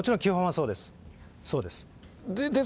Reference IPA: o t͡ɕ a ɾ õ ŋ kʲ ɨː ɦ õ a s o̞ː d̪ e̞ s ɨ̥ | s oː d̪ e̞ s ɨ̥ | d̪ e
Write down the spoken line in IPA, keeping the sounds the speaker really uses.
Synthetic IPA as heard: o t͡ɕ i ɾ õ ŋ kʲ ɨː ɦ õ a s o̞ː d̪ e̞ s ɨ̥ | s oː d̪ e̞ s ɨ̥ | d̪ e